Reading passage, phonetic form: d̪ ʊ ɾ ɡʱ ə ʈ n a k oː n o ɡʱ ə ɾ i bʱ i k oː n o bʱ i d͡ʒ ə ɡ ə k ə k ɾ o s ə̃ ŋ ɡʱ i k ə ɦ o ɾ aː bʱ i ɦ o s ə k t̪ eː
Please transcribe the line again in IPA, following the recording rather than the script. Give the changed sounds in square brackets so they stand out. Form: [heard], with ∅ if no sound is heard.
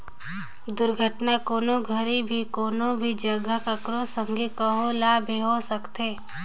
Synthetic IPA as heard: d̪ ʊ ɾ ɡʱ ə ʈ n a k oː n o ɡʱ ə ɾ i bʱ i k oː n o bʱ i d͡ʒ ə ɡ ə k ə k ɾ o s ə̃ ŋ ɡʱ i k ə ɦ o [l] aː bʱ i ɦ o s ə k t̪ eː